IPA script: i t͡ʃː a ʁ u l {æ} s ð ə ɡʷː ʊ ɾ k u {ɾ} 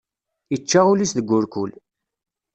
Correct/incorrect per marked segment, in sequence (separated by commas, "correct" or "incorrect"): incorrect, incorrect